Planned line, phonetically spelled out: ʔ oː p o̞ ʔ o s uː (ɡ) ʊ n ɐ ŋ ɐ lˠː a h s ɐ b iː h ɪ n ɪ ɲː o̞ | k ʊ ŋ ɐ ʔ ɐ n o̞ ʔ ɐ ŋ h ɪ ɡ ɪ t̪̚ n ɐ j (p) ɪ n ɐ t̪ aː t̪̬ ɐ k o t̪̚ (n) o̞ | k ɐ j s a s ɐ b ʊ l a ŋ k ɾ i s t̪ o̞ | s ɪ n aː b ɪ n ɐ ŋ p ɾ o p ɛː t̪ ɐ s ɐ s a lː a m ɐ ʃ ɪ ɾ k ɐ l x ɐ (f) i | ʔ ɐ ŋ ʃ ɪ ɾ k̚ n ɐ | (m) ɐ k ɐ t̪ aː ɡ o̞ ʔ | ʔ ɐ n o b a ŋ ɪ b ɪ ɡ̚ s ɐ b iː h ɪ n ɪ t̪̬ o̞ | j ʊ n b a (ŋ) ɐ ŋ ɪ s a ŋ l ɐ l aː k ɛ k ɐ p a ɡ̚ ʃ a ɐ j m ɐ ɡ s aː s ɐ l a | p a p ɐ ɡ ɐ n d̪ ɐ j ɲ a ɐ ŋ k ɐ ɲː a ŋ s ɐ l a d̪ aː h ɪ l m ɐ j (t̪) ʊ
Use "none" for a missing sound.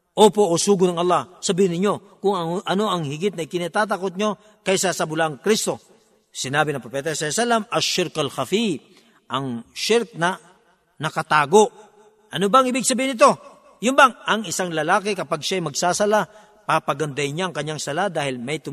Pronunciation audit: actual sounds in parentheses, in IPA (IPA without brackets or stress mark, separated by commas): ɡ, k, ɲ, f, n, ŋ, t̪